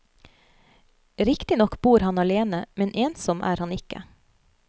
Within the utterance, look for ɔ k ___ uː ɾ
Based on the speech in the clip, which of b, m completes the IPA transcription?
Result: b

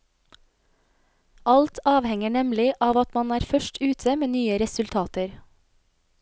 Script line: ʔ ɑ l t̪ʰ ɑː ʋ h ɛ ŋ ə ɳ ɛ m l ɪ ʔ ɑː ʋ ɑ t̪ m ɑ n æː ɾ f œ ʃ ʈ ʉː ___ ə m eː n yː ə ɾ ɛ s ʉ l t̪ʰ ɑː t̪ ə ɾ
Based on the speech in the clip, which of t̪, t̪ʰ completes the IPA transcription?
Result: t̪ʰ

